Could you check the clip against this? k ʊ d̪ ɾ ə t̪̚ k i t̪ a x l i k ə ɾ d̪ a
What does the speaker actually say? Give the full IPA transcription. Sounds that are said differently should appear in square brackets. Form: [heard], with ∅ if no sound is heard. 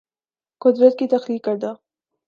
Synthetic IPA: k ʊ d̪ ɾ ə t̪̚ k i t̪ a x l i k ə ɾ d̪ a